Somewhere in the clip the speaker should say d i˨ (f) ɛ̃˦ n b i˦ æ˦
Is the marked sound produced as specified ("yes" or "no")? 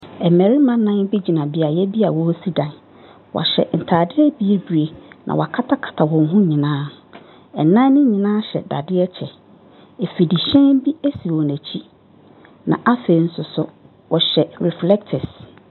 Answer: no